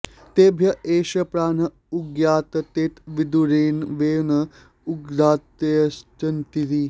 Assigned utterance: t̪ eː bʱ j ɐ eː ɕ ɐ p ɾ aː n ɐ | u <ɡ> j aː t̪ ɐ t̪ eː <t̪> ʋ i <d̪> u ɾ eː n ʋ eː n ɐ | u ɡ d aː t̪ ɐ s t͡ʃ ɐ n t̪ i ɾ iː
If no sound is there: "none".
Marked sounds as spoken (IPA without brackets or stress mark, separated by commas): ɡ, t̪, d̪